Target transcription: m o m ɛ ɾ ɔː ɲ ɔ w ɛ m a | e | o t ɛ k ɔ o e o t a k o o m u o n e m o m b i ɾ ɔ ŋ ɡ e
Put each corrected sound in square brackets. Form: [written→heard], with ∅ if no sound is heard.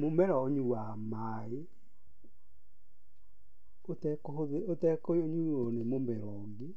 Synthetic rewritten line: m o m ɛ ɾ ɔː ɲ [ɔ→u] w [ɛ→a] m a | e | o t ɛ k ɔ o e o t [a→ɛ] k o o [m→ɲ] u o n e m o m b [i→ɛ] ɾ ɔ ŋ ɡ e